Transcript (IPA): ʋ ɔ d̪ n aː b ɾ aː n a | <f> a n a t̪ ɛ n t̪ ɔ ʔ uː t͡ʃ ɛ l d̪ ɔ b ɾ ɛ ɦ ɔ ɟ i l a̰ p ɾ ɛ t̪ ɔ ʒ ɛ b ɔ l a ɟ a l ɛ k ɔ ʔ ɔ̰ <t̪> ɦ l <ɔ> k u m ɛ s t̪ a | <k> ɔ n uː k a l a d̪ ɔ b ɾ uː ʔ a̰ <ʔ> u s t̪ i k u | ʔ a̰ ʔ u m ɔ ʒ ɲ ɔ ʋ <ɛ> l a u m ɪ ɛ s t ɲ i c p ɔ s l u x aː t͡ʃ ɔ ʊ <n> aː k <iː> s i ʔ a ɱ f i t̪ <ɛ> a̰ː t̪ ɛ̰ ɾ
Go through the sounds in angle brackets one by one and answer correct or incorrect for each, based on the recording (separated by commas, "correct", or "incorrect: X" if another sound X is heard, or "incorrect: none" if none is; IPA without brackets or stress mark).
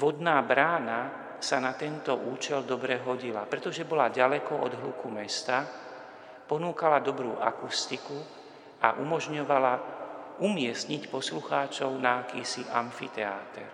incorrect: s, incorrect: d̪, incorrect: u, incorrect: p, incorrect: k, incorrect: a, correct, correct, correct